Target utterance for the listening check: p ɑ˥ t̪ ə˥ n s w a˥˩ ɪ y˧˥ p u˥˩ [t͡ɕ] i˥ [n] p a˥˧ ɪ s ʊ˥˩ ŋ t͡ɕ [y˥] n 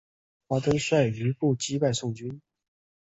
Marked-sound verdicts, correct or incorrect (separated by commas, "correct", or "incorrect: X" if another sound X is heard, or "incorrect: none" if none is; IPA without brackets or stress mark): correct, incorrect: none, correct